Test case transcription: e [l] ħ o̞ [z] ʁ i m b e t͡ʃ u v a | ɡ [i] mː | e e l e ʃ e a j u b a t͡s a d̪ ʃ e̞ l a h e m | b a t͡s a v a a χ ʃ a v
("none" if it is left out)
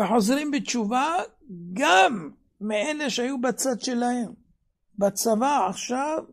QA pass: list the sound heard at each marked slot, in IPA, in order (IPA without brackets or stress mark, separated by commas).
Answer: none, z, a